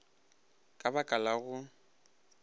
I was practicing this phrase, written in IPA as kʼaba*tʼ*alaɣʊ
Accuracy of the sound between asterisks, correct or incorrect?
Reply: incorrect